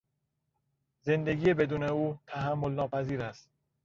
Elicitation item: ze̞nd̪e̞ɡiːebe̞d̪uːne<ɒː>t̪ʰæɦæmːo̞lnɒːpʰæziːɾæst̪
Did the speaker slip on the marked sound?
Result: yes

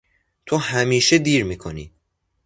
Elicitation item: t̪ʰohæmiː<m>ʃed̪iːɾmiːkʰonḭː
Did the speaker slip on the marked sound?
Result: yes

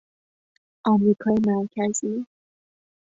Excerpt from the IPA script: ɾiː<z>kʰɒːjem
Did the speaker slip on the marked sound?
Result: yes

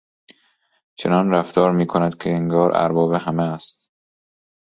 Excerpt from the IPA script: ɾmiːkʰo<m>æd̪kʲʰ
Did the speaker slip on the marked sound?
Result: yes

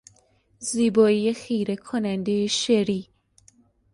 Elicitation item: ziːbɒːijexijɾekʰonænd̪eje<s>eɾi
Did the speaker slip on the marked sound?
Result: yes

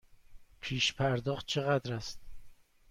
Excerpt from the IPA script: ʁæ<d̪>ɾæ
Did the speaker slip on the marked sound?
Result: no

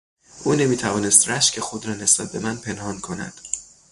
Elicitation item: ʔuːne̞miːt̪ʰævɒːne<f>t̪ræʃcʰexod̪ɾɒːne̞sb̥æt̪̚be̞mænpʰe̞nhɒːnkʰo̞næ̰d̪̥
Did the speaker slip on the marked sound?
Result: yes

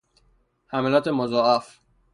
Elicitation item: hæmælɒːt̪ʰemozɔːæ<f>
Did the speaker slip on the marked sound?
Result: no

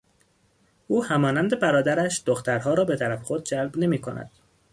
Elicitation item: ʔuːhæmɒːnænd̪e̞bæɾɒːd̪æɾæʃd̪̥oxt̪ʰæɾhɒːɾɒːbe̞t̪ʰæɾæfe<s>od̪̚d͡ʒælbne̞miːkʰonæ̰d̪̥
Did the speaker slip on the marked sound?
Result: yes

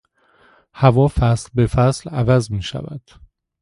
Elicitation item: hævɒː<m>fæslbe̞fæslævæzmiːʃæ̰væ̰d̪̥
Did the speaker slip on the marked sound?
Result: yes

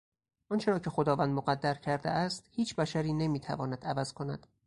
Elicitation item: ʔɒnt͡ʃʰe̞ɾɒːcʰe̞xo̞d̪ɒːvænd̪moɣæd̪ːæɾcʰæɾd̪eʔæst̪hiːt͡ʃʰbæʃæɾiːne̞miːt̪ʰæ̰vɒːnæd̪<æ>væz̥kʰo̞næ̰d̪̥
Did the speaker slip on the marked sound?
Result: no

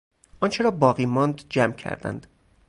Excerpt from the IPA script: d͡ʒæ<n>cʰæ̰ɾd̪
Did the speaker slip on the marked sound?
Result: yes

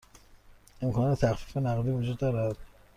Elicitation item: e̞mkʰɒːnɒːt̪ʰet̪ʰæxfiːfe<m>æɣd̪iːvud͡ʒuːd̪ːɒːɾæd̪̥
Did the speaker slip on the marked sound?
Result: yes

